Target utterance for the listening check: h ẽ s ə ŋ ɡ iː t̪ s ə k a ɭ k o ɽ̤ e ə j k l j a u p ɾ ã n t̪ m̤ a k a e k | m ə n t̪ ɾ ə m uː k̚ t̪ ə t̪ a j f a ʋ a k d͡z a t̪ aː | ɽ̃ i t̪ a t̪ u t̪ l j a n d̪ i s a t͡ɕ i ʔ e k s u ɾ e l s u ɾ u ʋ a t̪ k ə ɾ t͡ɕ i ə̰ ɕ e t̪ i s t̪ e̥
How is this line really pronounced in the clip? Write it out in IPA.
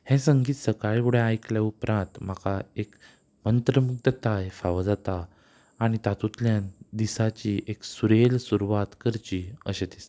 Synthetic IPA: h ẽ s ə ŋ ɡ iː t̪ s ə k a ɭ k u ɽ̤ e a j k l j a u p ɾ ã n t̪ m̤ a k a e k | m ə n t̪ ɾ ə m u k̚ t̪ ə t̪ a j f a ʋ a d͡z a t̪ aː | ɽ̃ i t̪ a t̪ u t̪ l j a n d̪ i s a t͡ɕ i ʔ e k s u ɾ e l s u ɾ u ʋ a t̪ k ə ɾ t͡ɕ i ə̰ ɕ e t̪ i s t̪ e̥